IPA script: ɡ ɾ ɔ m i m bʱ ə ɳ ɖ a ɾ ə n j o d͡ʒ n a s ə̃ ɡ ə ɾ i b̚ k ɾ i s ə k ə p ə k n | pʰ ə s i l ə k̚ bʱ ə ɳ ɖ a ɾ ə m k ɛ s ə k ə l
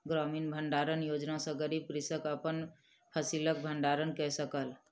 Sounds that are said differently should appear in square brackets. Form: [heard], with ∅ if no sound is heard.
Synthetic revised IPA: ɡ ɾ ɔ m i [n] bʱ ə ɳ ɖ a ɾ ə n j o d͡ʒ n a s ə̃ ɡ ə ɾ i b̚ k ɾ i s ə k ə p ə [∅] n | pʰ ə s i l ə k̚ bʱ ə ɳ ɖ a ɾ ə [n] k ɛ s ə k ə l